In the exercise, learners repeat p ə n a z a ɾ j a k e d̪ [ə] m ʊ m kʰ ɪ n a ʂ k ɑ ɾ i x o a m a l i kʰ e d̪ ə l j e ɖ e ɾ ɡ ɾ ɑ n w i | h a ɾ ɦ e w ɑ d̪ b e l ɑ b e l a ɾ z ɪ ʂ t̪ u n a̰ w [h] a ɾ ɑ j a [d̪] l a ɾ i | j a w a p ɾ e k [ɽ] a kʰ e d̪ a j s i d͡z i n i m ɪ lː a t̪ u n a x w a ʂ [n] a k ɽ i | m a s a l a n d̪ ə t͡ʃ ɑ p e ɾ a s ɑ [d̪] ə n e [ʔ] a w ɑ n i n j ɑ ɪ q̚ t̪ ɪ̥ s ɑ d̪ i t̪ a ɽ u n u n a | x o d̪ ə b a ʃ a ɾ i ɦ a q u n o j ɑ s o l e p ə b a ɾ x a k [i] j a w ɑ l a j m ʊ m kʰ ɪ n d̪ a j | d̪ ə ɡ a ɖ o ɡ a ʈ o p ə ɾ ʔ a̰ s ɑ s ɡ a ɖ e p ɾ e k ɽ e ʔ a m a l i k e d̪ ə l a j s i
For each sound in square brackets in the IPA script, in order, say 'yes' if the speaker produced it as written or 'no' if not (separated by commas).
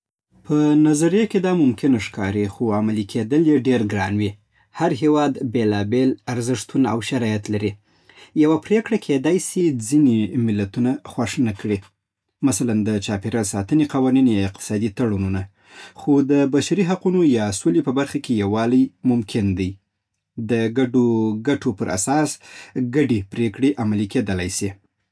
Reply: no, no, no, yes, yes, no, no, no